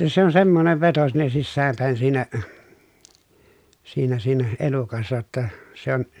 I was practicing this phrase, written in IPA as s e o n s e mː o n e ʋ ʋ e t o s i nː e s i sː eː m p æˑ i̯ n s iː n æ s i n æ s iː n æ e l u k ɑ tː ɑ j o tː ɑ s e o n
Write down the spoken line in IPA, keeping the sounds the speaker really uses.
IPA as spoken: s e o n s e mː o n e ʋ ʋ e t o s i nː e s i sː æː m p æˑ i̯ n s iː n æ s iː n æ s iː n æ e l u k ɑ sː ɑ j o tː ɑ s e o n